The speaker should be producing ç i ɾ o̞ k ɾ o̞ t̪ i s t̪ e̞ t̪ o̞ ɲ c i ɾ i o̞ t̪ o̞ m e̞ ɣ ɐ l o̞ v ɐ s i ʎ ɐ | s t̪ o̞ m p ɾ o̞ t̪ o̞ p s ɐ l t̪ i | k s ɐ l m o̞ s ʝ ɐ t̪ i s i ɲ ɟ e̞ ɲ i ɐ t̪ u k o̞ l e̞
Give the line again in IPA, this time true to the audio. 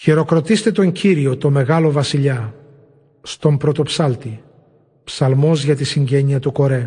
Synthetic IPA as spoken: ç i ɾ o̞ k ɾ o̞ t̪ i s t̪ e̞ t̪ o̞ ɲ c i ɾ i o̞ t̪ o̞ m e̞ ɣ ɐ l o̞ v ɐ s i ʎ ɐ | s t̪ o̞ m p ɾ o̞ t̪ o̞ p s ɐ l t̪ i | p s ɐ l m o̞ z ʝ ɐ t̪ i s i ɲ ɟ e̞ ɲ i ɐ t̪ u k o̞ ɾ e̞